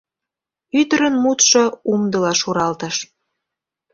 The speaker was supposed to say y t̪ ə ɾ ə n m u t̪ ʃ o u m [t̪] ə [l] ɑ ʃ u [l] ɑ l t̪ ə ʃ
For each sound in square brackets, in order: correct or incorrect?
incorrect: d̪, correct, incorrect: ɾ

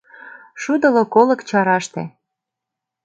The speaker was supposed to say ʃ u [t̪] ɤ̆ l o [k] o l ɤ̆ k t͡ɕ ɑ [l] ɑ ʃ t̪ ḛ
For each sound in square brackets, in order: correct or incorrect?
incorrect: d̪, correct, incorrect: ɾ

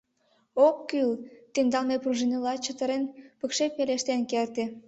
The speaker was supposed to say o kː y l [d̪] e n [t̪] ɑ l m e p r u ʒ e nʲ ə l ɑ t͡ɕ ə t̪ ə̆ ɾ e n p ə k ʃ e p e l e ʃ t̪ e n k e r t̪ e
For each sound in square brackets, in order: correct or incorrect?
incorrect: t̪, incorrect: d̪

